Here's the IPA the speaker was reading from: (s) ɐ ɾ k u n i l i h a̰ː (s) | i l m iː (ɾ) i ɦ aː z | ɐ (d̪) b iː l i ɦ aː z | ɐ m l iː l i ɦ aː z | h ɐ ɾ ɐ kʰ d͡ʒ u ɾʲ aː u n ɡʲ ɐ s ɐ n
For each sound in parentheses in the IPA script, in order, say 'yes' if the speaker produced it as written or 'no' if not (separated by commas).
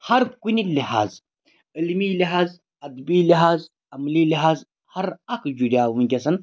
no, no, no, yes